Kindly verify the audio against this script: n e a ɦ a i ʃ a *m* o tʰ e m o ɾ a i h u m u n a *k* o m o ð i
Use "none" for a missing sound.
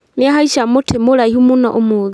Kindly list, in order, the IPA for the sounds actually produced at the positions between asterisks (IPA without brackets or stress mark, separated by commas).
m, ʔ